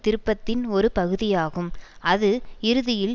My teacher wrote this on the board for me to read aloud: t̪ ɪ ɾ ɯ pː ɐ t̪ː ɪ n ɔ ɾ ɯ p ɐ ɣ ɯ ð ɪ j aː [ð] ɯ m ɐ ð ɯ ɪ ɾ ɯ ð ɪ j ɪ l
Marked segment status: incorrect: ɣ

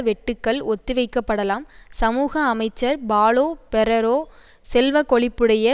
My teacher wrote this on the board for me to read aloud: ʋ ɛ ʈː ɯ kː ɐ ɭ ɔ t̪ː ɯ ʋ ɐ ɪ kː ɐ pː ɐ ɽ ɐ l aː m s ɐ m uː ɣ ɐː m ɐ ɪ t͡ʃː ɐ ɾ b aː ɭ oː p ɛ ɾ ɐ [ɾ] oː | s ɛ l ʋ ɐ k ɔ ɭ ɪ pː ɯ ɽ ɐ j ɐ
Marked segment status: correct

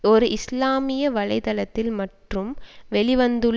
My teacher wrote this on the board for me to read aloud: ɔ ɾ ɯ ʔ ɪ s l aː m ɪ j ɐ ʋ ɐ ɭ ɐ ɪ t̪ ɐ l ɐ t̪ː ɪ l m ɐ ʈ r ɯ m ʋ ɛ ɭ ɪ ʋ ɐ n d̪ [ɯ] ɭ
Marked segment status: correct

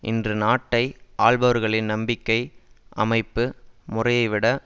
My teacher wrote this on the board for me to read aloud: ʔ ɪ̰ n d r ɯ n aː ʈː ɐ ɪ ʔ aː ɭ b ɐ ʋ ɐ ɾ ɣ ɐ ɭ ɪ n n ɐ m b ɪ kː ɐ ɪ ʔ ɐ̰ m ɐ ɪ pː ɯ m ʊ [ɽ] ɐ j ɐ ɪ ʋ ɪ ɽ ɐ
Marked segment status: incorrect: r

